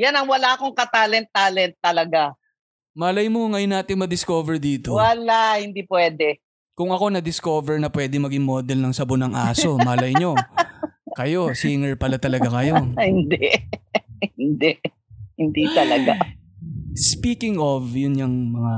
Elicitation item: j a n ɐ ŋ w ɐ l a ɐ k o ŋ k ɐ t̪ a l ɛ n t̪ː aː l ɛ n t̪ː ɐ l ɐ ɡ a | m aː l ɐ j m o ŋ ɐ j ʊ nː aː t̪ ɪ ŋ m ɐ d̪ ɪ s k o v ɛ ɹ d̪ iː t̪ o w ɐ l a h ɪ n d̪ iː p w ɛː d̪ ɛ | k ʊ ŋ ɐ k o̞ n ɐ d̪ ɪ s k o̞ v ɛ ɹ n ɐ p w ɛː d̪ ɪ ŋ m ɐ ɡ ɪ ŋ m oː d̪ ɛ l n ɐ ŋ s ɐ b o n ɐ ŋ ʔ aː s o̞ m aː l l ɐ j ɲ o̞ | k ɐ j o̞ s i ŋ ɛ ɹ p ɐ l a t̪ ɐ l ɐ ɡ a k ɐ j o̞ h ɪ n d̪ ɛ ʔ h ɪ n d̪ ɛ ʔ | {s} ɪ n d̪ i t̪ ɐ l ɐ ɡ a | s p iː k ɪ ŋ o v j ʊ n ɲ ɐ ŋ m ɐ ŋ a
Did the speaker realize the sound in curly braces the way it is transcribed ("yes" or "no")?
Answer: no